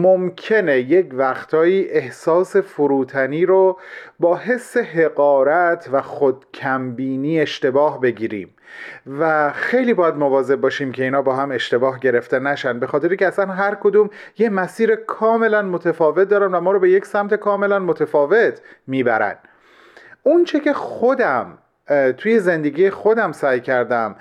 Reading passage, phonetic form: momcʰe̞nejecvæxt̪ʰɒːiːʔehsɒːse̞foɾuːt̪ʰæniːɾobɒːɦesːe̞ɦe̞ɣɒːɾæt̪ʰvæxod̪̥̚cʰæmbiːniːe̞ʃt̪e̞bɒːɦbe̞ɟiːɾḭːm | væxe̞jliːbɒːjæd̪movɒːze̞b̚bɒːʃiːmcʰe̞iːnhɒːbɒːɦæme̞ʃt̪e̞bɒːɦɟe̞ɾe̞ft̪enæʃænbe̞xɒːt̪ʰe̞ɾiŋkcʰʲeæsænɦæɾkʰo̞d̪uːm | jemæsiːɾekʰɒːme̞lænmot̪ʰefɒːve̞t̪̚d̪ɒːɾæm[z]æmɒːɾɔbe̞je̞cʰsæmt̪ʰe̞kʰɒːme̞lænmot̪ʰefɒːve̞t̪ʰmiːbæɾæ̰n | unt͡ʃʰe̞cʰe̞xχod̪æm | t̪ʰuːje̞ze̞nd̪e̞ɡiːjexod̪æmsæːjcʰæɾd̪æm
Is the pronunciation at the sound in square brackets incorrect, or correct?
incorrect